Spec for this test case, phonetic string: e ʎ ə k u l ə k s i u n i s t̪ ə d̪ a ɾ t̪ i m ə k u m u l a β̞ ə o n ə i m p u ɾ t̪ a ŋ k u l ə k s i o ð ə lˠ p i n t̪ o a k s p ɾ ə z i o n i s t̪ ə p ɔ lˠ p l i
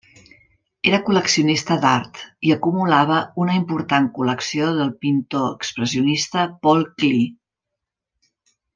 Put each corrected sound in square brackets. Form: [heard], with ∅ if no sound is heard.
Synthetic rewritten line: e [ɾ] ə k u l ə k s i u n i s t̪ ə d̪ a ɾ t̪ i [∅] ə k u m u l a β̞ ə [u] n ə i m p u ɾ t̪ a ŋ k u l ə k s i o ð ə lˠ p i n t̪ o [ə] k s p ɾ ə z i [u] n i s t̪ ə p ɔ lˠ [k] l i